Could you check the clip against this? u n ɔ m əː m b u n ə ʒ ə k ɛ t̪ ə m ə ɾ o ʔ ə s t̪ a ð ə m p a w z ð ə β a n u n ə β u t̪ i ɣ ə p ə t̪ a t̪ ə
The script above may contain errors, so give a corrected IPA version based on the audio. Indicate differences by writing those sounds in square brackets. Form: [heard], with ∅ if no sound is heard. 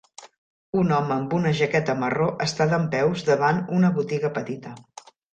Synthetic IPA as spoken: u n ɔ m əː m b u n ə ʒ ə k ɛ t̪ ə m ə [r] o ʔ ə s t̪ a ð ə m p [ɛ] w z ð ə β a n u n ə β u t̪ i ɣ ə p ə t̪ [i] t̪ ə